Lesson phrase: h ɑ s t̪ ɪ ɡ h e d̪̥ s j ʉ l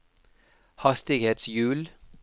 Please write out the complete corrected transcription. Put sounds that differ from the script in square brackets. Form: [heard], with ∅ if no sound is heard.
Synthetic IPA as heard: h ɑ s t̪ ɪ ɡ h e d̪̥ s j [ʉː] l